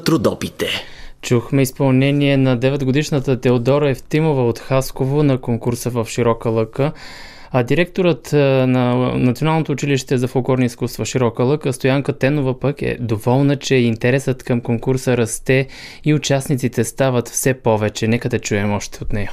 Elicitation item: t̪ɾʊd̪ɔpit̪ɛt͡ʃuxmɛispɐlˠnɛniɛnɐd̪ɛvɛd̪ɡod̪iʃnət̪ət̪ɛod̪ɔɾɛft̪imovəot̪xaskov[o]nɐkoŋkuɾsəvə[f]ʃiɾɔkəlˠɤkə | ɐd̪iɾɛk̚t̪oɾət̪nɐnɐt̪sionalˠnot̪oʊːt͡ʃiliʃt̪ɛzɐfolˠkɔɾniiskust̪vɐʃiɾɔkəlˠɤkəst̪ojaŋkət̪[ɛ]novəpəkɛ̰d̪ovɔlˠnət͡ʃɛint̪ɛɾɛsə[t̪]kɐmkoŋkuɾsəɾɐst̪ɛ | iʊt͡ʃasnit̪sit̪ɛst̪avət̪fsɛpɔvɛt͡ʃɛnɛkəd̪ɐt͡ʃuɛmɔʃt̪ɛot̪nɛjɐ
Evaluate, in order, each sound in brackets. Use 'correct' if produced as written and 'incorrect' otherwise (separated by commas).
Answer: correct, correct, correct, correct